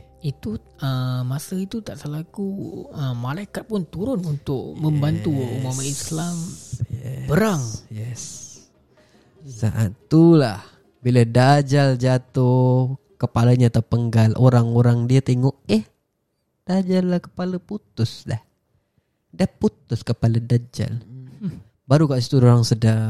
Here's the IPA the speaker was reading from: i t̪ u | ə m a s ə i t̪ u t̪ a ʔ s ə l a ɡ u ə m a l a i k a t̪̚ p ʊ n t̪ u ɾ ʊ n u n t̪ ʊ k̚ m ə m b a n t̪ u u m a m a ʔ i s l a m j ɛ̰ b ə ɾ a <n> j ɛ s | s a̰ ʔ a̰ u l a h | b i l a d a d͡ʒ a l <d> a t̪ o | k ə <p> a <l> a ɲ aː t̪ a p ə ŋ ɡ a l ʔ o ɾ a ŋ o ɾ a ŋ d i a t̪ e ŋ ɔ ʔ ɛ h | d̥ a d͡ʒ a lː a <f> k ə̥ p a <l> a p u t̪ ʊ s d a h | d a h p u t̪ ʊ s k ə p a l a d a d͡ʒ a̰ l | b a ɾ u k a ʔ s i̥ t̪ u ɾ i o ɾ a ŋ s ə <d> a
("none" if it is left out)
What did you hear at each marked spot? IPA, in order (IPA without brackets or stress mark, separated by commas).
ŋ, d͡ʒ, p, l, h, l, d